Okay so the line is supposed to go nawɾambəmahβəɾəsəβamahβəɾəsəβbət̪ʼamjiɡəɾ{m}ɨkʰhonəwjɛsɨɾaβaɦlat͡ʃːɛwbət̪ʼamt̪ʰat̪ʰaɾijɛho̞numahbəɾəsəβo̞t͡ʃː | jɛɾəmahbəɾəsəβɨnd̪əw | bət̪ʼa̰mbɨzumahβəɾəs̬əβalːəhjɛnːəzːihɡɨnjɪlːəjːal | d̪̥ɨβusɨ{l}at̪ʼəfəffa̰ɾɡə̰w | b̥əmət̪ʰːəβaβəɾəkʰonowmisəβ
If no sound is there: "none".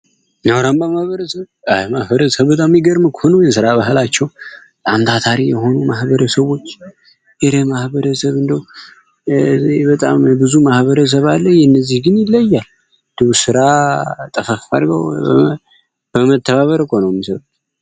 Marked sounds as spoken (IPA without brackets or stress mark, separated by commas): m, ɾ